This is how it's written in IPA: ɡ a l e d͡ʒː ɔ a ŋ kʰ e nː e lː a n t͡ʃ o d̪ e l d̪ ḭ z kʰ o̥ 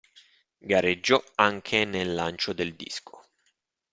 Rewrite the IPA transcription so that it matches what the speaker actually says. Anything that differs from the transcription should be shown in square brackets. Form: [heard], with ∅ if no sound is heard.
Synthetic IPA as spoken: ɡ a [ɾ] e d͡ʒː ɔ a ŋ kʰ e [n] e lː a n t͡ʃ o d̪ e l d̪ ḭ [s] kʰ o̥